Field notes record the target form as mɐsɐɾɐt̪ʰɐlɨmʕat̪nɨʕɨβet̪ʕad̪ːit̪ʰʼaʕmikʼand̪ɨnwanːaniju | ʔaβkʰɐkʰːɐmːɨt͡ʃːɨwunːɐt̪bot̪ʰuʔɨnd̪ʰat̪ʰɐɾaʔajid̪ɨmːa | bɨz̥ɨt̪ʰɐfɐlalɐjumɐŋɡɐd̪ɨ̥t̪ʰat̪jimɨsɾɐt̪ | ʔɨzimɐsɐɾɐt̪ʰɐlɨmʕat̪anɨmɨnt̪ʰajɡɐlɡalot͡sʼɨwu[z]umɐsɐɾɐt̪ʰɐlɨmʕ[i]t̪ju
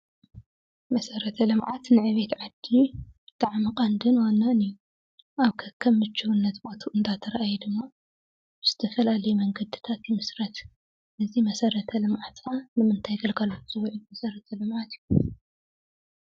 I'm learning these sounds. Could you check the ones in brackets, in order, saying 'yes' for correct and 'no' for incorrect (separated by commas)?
no, no